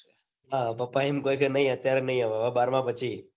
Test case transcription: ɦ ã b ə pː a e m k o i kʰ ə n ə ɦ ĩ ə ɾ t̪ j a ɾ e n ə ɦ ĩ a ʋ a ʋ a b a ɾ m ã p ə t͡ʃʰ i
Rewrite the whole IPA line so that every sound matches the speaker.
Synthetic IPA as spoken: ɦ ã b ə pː a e m k o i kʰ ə n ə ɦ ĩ ə t̪ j a ɾ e n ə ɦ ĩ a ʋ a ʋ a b a ɾ m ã p ə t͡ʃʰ i